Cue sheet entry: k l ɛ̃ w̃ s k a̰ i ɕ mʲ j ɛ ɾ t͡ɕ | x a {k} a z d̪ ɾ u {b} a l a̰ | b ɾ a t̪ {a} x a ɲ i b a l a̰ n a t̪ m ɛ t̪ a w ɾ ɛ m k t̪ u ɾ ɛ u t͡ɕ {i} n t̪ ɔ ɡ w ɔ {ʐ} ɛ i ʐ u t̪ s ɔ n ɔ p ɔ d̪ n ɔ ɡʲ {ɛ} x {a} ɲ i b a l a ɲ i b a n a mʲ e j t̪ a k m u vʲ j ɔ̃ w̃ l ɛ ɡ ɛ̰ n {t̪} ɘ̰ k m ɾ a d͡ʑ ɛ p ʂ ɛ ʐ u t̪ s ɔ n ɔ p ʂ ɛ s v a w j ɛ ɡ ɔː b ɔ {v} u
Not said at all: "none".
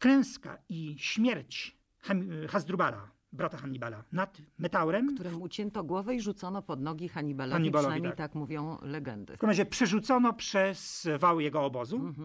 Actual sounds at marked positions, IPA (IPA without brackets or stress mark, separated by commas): x, b, a, ɛ, v, i, a, d̪, z